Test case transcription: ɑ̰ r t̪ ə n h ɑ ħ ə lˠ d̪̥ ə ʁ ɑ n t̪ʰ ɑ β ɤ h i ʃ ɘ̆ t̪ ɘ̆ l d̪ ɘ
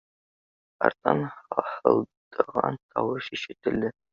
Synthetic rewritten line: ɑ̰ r t̪ ɑ n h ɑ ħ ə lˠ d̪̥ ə ʁ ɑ n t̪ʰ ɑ w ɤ ʃ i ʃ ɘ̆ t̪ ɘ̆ l d̪ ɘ

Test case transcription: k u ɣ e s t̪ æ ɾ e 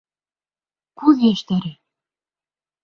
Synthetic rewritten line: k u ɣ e ʃ t̪ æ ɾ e

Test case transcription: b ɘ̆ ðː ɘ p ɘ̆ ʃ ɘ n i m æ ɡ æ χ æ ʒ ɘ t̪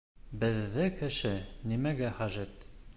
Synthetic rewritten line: b ɘ̆ ðː ɘ k ɘ̆ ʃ ɘ n i m æ ɡ æ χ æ ʒ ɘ t̪

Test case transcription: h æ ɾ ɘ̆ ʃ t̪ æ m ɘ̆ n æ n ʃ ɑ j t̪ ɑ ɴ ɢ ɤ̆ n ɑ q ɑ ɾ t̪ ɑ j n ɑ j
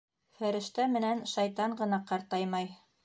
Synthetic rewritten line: f æ ɾ ɘ̆ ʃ t̪ æ m ɘ̆ n æ n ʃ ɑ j t̪ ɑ ɴ ɢ ɤ̆ n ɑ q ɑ ɾ t̪ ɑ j m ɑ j

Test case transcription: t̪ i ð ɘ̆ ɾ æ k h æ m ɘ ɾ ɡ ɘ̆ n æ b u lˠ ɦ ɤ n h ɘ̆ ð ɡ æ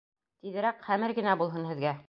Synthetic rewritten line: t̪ i ð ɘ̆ ɾ æ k χ æ m ɘ ɾ ɡ ɘ̆ n æ b u lˠ ɦ ɤ n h ɘ̆ ð ɡ æ

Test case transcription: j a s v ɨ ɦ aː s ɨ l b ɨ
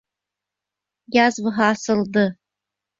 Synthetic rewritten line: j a z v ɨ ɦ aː s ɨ l d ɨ

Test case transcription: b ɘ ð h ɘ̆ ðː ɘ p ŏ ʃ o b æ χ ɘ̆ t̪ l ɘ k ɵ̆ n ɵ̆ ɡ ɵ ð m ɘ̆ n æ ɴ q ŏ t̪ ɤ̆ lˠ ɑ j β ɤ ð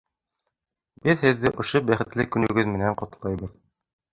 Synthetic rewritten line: b ɘ ð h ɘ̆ ðː ɘ ʔ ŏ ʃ o b æ χ ɘ̆ t̪ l ɘ k ɵ̆ n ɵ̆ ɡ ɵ ð m ɘ̆ n æ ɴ q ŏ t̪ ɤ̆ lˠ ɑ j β ɤ ð

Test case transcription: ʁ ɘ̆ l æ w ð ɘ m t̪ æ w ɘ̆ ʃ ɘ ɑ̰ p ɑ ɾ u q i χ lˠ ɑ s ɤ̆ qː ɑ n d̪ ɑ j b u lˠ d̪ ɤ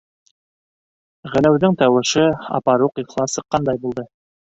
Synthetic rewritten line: ʁ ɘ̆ l æ w ð ɘ ŋ t̪ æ w ɘ̆ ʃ ɘ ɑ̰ p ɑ ɾ u q i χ lˠ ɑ s ɤ̆ qː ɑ n d̪ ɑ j b u lˠ d̪ ɤ

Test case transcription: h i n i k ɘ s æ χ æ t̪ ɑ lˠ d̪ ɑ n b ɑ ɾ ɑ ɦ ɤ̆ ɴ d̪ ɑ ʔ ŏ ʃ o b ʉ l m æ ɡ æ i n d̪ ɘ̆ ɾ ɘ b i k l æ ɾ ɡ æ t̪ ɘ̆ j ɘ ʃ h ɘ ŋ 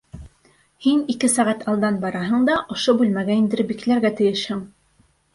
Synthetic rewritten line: h i n i k ɘ s æ ʁ æ t̪ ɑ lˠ d̪ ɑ n b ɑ ɾ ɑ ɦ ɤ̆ ɴ d̪ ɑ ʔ ŏ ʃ o b ʉ l m æ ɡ æ i n d̪ ɘ̆ ɾ ɘ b i k l æ ɾ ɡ æ t̪ ɘ̆ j ɘ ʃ h ɘ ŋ

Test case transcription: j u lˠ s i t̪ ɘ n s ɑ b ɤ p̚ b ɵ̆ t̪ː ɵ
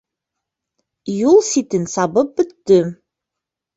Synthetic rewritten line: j u lˠ s i t̪ ɘ n s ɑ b ɤ p̚ b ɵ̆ t̪ː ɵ

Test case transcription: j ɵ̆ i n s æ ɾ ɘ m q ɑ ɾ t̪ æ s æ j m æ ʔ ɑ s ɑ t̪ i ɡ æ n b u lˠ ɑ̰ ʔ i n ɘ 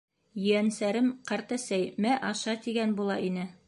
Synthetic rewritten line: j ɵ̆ æ n s æ ɾ ɘ m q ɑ ɾ t̪ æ s æ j m æ ʔ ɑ ʃ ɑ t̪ i ɡ æ n b u lˠ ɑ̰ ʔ i n ɘ

